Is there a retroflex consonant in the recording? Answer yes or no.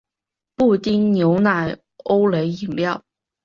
no